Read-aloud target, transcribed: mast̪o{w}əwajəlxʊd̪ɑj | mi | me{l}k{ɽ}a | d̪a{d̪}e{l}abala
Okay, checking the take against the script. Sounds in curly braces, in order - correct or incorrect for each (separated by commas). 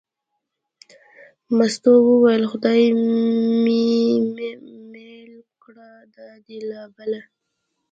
correct, correct, correct, correct, correct